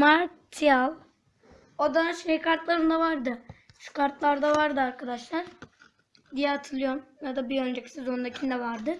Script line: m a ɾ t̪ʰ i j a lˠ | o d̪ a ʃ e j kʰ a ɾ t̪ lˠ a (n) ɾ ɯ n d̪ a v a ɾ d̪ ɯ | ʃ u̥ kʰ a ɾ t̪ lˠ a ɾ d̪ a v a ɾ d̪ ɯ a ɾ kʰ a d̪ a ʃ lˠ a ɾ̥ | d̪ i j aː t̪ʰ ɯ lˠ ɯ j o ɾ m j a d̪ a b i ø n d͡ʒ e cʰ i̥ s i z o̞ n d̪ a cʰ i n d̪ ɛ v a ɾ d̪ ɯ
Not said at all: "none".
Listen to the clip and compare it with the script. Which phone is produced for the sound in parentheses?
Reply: none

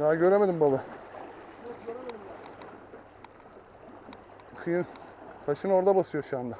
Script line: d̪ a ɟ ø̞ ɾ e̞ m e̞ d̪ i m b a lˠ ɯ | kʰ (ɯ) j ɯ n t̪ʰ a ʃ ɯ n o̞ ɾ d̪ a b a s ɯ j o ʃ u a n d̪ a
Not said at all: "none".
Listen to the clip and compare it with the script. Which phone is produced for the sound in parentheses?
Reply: ɯ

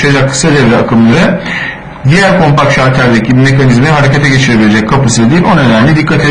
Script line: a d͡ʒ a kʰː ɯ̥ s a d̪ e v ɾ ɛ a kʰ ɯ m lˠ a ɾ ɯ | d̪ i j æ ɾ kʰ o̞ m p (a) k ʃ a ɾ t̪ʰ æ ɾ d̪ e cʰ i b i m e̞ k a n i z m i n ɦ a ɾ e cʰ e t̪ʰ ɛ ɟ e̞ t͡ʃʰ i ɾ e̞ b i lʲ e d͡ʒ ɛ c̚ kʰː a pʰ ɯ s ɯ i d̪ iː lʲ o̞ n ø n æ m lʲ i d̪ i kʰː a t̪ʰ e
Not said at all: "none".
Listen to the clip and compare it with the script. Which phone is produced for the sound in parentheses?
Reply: a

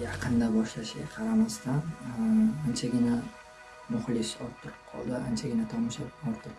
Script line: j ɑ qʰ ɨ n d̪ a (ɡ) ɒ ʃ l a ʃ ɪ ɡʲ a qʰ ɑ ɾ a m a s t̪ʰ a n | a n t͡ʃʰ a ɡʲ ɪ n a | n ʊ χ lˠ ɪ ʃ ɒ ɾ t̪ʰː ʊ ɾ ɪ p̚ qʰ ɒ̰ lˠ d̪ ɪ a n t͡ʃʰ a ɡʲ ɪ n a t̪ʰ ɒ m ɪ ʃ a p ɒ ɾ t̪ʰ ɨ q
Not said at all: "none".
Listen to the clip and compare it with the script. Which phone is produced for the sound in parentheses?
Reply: b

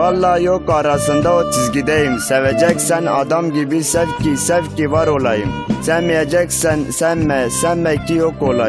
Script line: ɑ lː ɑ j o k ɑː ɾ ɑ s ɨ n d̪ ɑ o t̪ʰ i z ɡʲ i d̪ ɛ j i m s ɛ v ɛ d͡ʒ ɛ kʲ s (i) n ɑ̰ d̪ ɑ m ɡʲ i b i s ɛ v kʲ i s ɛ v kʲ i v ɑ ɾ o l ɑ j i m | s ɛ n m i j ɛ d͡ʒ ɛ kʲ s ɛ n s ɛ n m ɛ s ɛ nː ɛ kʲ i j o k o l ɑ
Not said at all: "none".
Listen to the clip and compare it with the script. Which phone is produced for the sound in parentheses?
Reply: ɛ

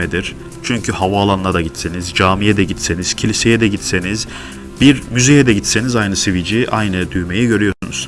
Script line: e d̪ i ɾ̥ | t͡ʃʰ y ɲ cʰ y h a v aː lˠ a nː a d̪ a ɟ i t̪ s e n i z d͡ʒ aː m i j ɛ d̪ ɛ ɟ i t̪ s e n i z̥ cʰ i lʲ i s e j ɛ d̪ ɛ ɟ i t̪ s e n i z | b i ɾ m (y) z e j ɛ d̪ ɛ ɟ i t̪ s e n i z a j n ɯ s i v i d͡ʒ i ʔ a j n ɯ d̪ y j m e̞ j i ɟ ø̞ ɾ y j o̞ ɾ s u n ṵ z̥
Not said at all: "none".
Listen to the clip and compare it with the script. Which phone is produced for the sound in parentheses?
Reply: y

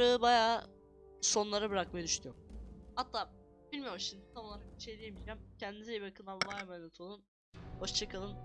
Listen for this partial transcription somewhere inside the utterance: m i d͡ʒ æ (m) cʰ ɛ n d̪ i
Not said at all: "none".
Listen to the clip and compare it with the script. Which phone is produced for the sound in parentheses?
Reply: m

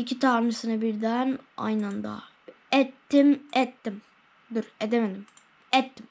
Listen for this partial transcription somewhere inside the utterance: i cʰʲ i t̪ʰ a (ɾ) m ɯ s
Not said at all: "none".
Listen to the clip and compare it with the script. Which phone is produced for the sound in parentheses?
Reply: ɾ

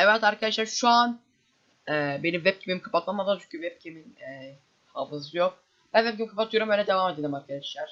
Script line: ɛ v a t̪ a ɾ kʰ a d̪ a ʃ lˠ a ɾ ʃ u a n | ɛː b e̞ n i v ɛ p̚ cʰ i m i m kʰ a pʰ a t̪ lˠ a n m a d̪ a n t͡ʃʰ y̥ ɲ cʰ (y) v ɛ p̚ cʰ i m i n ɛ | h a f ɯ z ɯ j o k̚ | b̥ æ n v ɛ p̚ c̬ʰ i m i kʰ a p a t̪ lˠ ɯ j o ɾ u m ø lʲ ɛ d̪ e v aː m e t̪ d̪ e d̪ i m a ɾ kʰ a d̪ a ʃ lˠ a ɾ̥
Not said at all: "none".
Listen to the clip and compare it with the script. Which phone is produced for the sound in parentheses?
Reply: y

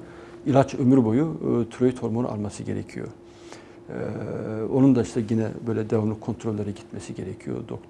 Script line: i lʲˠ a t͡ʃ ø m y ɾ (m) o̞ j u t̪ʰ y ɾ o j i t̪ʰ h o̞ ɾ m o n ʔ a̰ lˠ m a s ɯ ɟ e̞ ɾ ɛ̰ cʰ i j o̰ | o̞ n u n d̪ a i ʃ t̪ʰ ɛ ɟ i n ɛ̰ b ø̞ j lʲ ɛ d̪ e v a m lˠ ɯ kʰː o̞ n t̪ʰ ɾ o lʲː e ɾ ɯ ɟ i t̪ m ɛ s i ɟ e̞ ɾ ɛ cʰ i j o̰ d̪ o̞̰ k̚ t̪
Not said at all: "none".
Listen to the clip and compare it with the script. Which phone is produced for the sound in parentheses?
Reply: b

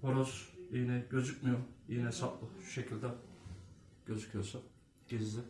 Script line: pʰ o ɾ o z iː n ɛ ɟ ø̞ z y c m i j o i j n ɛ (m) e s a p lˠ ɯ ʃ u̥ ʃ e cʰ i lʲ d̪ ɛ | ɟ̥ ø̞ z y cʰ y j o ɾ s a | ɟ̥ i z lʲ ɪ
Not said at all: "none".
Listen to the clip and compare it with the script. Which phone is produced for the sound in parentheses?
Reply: none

